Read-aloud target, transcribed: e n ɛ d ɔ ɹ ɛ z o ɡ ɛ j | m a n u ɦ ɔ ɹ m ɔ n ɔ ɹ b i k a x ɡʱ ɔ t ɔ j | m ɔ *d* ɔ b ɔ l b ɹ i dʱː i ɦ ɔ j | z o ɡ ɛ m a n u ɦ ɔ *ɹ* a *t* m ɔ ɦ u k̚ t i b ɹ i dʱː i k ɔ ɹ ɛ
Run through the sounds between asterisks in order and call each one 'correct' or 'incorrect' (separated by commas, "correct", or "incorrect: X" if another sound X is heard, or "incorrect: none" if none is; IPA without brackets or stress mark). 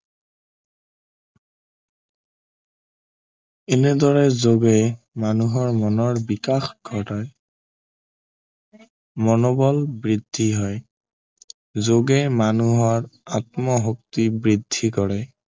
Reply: incorrect: n, correct, correct